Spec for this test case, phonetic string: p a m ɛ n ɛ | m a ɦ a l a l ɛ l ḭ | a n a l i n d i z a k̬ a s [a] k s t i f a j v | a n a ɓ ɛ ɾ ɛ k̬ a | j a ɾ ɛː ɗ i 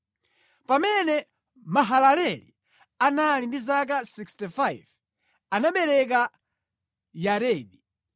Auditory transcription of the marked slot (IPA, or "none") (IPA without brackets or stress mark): i